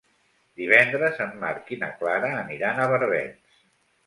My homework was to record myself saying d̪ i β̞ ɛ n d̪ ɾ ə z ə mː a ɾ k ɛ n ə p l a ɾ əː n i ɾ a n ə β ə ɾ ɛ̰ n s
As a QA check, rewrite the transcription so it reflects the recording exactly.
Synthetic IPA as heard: d̪ i β̞ ɛ n d̪ ɾ ə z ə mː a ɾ k i n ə k l a ɾ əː n i ɾ a n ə β ə ɾ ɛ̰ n s